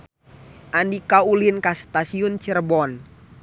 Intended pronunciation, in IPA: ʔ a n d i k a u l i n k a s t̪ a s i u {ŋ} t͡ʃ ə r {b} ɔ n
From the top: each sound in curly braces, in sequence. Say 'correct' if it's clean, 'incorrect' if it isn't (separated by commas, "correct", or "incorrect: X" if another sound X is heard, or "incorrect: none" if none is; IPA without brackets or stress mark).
incorrect: n, correct